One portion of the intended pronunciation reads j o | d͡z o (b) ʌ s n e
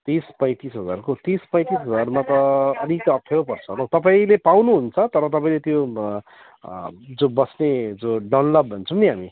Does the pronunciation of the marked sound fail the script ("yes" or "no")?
no